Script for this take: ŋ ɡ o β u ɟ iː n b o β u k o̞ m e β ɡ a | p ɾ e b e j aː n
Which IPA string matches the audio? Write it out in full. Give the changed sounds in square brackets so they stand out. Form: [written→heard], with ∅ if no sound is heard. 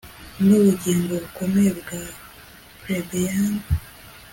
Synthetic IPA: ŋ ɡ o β u ɟ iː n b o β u k o̞ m e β ɡ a | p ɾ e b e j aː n